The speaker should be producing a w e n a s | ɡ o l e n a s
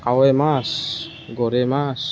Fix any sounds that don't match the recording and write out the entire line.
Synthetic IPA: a w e m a s | ɡ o ɾ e m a s